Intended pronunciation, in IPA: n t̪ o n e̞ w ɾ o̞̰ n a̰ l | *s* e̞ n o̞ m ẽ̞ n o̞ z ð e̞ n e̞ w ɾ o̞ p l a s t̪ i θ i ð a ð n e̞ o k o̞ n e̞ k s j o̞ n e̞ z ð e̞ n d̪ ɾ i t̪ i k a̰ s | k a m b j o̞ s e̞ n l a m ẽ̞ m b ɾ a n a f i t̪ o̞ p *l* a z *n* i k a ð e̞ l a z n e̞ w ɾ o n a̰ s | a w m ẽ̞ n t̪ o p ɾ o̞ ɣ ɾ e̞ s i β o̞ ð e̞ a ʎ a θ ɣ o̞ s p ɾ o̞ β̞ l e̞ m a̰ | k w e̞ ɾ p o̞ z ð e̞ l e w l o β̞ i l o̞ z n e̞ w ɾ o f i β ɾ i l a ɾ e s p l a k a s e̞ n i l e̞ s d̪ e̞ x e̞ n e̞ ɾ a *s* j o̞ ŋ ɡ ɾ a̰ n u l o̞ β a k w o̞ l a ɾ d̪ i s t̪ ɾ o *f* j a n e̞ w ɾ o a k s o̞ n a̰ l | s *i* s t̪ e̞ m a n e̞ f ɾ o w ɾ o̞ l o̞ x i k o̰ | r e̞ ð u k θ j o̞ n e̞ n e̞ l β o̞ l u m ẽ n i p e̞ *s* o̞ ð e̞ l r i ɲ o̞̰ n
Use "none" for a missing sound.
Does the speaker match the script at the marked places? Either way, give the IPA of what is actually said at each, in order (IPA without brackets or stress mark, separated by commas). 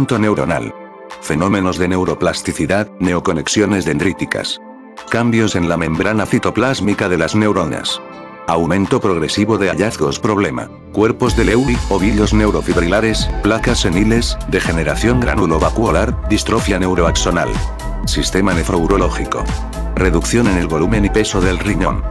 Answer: f, l, m, θ, f, i, s